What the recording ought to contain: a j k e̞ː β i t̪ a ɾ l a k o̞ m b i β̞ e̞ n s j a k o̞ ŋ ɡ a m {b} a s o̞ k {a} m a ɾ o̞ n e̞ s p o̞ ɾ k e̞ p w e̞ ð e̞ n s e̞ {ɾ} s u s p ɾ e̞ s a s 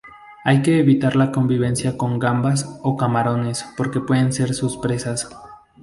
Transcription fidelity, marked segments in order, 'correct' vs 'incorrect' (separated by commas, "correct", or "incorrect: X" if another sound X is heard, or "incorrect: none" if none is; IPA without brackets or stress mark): correct, correct, correct